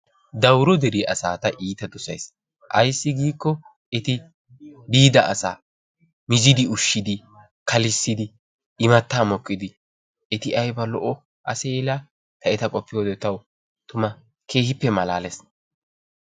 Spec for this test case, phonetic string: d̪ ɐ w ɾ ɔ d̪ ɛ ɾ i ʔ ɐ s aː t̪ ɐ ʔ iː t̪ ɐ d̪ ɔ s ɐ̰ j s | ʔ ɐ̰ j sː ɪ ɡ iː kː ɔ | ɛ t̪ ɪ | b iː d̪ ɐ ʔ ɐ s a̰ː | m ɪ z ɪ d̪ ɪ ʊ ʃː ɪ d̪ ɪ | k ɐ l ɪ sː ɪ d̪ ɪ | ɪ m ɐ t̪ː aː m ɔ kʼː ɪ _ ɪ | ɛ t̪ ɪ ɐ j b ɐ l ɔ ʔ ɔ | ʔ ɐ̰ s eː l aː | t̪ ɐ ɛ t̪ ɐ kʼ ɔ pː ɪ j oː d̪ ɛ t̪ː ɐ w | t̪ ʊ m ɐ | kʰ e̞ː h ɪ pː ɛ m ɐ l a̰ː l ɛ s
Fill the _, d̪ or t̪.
d̪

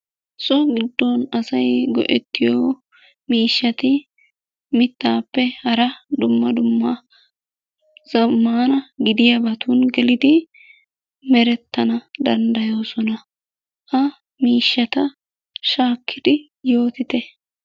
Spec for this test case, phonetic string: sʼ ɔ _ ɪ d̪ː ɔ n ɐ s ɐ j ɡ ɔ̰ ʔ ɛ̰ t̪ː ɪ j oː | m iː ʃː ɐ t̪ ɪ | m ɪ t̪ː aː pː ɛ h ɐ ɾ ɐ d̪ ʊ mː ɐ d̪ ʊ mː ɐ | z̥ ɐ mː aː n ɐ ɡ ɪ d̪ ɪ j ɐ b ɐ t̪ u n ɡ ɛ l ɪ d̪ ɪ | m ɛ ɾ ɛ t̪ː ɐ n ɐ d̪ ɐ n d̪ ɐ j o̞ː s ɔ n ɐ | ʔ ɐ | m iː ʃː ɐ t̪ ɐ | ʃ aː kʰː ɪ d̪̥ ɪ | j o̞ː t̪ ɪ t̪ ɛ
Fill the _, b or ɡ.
ɡ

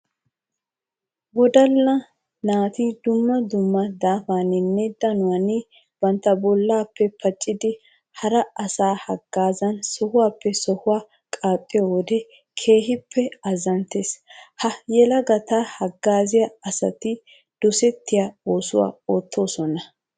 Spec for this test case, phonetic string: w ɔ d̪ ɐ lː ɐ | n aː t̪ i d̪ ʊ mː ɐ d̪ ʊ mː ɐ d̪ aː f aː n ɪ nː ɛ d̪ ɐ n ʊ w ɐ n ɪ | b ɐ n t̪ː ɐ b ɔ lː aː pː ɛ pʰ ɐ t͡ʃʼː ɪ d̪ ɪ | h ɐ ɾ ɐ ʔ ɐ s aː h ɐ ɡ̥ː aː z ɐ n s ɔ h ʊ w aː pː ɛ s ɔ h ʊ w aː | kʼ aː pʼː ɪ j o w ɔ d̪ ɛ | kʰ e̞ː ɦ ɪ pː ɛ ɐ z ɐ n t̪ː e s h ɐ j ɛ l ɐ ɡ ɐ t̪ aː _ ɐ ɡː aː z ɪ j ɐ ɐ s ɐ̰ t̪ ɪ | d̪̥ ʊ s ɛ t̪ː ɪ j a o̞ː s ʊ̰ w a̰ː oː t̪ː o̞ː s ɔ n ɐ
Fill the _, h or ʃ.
h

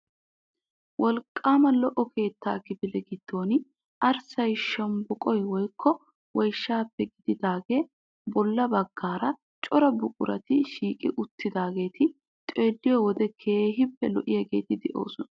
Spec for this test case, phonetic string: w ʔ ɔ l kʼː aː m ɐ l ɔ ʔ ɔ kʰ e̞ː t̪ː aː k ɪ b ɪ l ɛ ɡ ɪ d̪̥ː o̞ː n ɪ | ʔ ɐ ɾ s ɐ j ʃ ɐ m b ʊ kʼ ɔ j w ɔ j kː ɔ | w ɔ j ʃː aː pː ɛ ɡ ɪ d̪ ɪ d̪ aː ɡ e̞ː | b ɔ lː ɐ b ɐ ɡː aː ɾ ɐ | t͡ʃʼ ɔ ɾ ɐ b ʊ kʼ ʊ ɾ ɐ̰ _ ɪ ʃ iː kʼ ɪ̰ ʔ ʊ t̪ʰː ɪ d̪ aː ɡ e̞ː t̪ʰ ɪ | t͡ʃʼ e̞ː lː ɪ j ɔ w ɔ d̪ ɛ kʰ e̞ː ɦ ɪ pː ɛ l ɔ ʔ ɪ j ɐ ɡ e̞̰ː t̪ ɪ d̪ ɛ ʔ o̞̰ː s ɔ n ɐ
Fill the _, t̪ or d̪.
t̪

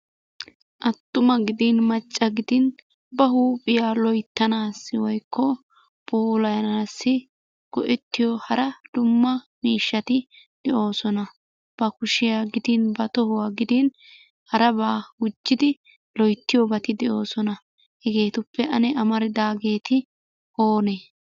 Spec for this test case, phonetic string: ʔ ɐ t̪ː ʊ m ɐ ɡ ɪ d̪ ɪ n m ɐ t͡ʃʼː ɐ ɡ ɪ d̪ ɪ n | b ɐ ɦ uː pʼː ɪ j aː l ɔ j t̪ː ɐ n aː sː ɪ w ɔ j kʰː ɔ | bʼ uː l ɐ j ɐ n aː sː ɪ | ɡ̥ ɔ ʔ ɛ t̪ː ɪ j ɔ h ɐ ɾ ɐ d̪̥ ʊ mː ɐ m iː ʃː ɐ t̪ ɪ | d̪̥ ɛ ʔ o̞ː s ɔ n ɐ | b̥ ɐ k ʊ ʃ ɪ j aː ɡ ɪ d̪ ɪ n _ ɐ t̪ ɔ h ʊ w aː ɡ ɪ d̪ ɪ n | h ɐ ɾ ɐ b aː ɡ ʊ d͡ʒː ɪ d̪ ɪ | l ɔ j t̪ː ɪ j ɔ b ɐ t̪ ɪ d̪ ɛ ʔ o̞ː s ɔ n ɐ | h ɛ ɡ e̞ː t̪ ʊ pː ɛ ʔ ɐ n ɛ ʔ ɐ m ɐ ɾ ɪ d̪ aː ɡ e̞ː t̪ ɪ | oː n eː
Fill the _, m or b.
b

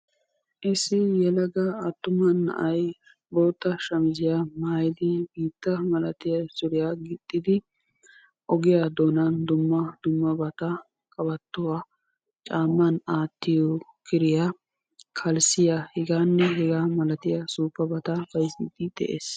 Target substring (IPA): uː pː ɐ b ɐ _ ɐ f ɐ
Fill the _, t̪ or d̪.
t̪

